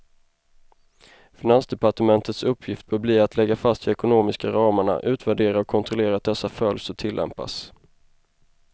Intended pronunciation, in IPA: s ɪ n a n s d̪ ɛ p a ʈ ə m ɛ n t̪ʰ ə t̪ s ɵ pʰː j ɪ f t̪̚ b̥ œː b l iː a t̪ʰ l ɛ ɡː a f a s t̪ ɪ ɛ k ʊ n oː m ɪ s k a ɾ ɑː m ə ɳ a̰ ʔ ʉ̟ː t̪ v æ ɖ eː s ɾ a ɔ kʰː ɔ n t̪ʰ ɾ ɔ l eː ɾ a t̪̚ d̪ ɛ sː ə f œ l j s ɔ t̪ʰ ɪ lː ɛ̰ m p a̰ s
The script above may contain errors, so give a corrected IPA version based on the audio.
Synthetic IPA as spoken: f ɪ n a n s d̪ ɛ p a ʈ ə m ɛ n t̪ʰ ə t̪ s ɵ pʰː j ɪ f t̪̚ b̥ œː b l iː a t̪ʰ l ɛ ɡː a f a s t̪ ɪ ɛ k ʊ n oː m ɪ s k a ɾ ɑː m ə ɳ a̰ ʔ ʉ̟ː t̪ v æ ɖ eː ɾ a ɔ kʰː ɔ n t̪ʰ ɾ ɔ l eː ɾ a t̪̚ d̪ ɛ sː a f œ l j s ɔ t̪ʰ ɪ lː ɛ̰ m p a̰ s